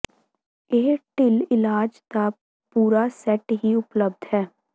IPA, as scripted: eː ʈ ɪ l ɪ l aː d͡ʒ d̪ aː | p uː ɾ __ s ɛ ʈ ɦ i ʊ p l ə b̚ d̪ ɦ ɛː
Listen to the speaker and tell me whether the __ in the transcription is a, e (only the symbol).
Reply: a